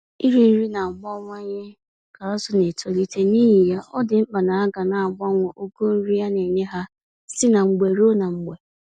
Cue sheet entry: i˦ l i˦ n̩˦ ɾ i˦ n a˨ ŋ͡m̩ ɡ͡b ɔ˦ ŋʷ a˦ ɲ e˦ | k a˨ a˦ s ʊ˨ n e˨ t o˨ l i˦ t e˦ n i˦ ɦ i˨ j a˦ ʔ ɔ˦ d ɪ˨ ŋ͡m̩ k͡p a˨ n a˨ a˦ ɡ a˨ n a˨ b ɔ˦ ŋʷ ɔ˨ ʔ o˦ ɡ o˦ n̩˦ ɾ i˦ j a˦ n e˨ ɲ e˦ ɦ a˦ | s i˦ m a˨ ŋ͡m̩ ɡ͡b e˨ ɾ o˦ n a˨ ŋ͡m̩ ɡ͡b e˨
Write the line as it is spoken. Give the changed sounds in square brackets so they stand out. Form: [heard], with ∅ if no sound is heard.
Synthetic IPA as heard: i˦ [ɾ] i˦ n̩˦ ɾ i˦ n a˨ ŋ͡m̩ ɡ͡b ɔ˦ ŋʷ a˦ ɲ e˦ | k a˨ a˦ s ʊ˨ n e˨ t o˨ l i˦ t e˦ n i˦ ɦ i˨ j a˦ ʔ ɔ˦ d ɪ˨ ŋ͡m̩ k͡p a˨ n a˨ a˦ ɡ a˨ n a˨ [ɡ͡b] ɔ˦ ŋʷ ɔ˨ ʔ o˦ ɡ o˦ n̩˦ ɾ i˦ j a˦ n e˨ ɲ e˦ ɦ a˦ | s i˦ [n] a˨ ŋ͡m̩ ɡ͡b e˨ ɾ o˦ n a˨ ŋ͡m̩ ɡ͡b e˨